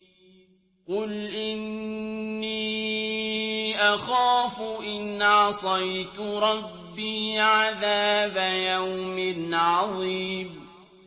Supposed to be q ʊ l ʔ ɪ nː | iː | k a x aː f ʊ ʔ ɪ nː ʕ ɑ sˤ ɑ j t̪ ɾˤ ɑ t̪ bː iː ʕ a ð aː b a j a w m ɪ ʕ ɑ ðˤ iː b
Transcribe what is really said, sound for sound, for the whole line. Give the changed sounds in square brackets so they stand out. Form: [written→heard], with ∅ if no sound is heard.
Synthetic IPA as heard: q ʊ l ʔ ɪ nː | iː | [k→ʔ] a x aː f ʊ ʔ ɪ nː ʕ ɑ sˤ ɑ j t̪ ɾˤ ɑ [t̪→∅] bː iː ʕ a ð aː b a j a w m ɪ ʕ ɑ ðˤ iː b